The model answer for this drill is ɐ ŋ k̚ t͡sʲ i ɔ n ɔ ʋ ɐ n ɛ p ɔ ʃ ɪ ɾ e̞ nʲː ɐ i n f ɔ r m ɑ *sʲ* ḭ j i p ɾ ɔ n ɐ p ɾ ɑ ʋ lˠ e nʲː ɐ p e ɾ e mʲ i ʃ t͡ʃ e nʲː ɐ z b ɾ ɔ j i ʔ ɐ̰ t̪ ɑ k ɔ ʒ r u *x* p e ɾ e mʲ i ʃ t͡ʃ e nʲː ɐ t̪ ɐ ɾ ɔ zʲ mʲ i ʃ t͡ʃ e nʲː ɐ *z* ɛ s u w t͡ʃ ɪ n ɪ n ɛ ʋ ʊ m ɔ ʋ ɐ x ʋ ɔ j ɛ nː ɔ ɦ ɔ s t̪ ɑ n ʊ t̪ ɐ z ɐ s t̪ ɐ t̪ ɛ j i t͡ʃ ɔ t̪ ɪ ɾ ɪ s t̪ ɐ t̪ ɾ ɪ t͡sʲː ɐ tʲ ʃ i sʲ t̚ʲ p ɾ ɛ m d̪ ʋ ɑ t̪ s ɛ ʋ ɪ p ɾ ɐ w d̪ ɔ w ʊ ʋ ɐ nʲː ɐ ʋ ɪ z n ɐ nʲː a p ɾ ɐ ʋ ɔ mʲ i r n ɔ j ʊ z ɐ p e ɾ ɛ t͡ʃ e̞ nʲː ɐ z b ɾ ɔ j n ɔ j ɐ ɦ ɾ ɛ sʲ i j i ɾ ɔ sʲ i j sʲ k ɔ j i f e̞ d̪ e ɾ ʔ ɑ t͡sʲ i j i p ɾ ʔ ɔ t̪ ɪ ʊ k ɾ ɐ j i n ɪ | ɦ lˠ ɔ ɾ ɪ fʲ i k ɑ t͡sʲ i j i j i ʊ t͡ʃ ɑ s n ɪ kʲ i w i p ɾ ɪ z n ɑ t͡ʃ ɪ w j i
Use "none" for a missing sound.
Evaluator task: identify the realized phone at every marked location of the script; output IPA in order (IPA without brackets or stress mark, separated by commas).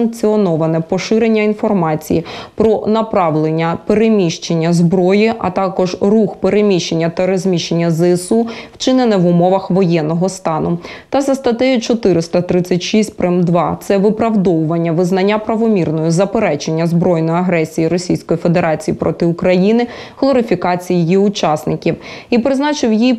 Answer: t͡sʲ, x, z